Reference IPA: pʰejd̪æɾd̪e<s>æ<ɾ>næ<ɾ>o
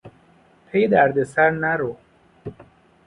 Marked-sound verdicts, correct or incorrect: correct, correct, correct

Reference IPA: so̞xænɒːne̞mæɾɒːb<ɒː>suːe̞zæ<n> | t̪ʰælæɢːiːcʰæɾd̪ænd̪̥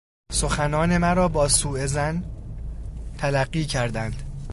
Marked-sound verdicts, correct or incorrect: correct, correct

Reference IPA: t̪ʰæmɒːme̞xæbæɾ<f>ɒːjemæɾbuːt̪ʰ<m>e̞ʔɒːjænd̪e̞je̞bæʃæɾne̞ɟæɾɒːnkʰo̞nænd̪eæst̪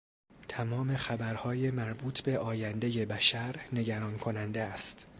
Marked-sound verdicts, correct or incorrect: incorrect, incorrect

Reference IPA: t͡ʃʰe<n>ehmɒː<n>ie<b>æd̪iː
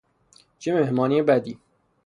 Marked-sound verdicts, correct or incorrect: incorrect, correct, correct

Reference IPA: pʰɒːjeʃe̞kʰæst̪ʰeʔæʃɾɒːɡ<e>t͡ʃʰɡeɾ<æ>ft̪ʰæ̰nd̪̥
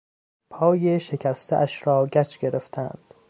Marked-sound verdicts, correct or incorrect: incorrect, incorrect

